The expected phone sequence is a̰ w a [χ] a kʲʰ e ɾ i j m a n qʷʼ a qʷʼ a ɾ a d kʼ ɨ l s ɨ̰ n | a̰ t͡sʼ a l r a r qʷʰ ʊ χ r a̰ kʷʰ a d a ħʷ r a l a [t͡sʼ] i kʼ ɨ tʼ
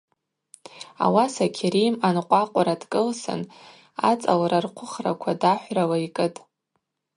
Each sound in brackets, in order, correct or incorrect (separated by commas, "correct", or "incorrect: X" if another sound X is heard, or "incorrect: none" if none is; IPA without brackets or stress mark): incorrect: s, incorrect: none